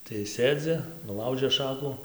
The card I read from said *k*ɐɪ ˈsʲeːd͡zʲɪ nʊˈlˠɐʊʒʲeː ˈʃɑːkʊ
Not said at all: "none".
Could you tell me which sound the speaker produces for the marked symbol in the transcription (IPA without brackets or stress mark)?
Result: t